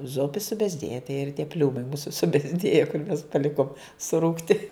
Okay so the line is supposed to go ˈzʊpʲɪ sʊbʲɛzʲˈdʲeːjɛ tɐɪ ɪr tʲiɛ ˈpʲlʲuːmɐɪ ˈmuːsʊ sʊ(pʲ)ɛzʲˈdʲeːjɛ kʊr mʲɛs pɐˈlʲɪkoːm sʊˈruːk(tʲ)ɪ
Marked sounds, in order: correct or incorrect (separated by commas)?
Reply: incorrect, correct